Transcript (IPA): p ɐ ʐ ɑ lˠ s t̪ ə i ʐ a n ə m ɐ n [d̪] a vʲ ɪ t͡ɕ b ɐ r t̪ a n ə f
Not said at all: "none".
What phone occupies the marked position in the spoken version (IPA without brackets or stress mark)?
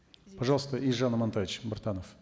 t̪